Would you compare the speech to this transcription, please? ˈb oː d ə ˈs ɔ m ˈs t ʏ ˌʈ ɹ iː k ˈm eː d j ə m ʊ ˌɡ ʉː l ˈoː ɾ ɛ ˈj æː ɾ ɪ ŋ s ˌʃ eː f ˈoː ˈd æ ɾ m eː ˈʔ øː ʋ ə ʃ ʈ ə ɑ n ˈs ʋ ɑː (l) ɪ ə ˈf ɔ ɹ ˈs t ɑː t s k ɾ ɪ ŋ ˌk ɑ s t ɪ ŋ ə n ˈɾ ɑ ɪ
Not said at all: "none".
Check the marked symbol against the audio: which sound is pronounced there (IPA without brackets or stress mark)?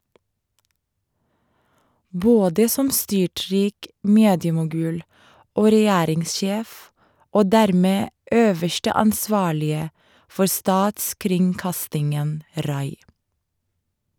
ɭ